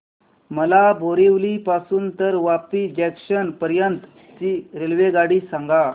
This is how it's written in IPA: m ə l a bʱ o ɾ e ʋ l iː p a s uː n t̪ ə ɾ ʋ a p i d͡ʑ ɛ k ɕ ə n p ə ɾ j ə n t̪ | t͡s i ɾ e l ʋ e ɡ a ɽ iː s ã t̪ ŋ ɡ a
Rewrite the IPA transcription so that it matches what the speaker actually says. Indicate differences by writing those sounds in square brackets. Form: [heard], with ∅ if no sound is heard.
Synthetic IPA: m ə l a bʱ o ɾ e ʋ l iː p a s uː n t̪ ə ɾ ʋ a p i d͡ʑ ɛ k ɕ ə n p ə ɾ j ə n t̪ | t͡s i ɾ e l ʋ e ɡ a ɽ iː s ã [∅] ŋ ɡ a